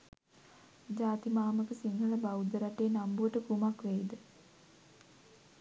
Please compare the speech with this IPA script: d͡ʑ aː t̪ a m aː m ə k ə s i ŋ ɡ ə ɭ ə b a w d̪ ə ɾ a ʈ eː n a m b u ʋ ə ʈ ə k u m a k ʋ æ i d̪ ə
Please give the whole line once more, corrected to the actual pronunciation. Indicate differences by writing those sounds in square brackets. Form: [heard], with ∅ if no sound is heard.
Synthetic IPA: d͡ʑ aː t̪ [i] m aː m ə k ə s i ŋ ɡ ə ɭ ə b a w d̪ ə ɾ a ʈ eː n a m b u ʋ ə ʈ ə k u m a k ʋ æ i d̪ ə